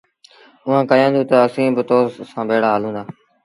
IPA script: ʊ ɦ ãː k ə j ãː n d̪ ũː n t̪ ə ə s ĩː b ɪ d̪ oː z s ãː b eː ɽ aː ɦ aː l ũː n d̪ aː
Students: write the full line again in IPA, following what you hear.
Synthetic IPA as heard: ʊ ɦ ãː k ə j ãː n d̪ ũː t̪ ə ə s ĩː b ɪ t̪ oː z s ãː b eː ɽ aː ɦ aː l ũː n d̪ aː